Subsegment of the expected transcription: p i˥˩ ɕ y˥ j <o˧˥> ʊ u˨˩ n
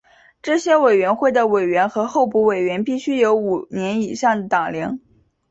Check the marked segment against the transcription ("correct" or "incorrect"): correct